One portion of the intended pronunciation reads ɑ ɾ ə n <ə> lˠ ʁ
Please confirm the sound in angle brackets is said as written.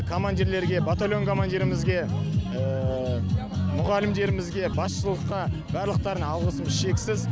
no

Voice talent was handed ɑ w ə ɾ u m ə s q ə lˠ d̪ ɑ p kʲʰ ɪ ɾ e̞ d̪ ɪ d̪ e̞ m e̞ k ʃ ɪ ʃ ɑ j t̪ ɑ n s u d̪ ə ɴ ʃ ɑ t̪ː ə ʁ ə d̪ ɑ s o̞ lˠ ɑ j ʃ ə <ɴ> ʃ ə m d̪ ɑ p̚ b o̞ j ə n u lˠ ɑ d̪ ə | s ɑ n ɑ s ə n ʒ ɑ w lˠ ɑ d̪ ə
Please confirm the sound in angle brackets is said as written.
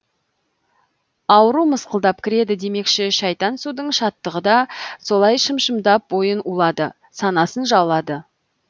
no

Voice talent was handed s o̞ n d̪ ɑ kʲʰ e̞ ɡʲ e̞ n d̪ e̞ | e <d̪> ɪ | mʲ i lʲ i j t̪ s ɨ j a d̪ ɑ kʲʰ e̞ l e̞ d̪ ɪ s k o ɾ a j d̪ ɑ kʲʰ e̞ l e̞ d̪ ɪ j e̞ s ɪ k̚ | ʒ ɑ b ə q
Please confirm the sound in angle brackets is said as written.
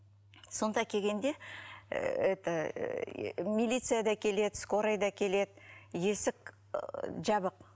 no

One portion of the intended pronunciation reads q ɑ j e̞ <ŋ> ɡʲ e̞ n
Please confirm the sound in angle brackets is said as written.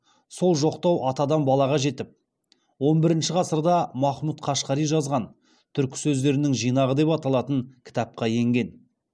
yes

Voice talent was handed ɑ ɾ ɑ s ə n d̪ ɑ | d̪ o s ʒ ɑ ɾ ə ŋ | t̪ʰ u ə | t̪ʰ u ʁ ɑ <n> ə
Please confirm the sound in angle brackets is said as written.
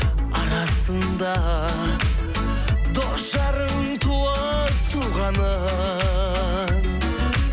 yes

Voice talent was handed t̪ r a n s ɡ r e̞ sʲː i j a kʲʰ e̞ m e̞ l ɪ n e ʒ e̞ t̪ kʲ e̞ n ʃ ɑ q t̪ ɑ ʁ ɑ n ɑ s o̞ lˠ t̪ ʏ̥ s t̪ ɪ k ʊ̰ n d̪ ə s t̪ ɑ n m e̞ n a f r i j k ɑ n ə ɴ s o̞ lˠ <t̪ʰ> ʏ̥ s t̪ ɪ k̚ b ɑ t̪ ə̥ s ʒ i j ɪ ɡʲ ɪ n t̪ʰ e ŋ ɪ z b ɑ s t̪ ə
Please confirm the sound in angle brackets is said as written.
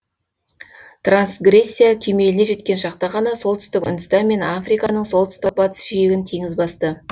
no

